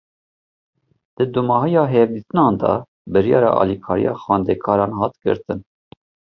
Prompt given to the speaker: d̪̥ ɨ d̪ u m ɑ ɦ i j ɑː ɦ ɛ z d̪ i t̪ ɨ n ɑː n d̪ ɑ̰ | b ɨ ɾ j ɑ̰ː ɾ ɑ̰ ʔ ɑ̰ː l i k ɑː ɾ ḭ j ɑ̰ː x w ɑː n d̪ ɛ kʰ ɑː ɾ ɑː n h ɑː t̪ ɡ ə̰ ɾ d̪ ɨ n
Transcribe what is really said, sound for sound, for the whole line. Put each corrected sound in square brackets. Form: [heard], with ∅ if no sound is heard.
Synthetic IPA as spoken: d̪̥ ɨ d̪ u m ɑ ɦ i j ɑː ɦ ɛ [v] d̪ i t̪ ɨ n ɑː n d̪ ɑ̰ | b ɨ ɾ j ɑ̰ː ɾ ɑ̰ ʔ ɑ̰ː l i [kʰ] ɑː ɾ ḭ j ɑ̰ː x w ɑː n d̪ ɛ kʰ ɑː ɾ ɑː n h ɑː t̪ ɡ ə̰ ɾ [t̪] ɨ n